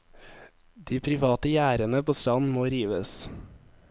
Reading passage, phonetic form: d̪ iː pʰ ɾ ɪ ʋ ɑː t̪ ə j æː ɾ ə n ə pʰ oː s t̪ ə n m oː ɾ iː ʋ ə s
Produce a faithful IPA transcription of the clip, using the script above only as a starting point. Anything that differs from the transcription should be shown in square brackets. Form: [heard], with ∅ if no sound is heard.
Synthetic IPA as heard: d̪ iː pʰ ɾ ɪ ʋ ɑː t̪ ə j æː ɾ ə n ə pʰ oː s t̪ [ɑ] n m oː ɾ iː ʋ ə s